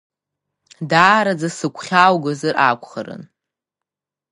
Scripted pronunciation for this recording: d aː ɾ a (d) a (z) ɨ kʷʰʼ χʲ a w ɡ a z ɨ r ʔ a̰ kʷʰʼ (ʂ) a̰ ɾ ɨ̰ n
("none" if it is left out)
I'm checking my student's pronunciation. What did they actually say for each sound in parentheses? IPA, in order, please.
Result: d͡z, s, χ

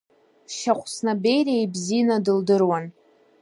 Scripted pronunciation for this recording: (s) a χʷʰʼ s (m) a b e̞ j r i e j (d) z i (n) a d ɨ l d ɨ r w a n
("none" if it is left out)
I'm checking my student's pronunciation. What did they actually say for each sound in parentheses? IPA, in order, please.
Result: ʃ, n, b, n

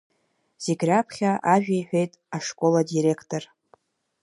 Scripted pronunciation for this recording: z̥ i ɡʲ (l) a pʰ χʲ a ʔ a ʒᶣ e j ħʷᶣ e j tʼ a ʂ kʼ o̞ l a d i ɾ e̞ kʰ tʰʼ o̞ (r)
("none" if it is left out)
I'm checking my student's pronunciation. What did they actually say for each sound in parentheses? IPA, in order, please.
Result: r, r

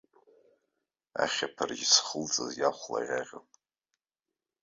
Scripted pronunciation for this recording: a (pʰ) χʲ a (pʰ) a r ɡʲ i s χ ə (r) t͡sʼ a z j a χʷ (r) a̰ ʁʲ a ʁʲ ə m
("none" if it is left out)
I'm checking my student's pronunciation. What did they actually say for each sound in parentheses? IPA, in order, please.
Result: none, pʰ, l, l

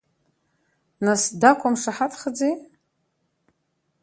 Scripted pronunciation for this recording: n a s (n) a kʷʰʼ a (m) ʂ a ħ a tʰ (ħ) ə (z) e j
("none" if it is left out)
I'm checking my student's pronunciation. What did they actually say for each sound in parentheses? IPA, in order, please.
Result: d, m, χ, d͡z

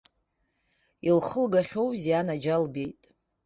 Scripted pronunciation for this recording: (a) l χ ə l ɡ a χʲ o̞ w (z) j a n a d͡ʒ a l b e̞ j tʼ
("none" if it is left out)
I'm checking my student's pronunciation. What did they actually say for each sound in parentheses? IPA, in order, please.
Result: i, z

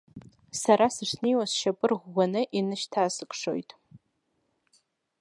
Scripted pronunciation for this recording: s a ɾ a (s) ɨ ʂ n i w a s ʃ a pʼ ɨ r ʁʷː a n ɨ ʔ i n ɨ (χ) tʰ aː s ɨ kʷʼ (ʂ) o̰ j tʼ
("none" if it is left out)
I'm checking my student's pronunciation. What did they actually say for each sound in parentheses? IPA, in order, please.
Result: s, ʃ, ʂ

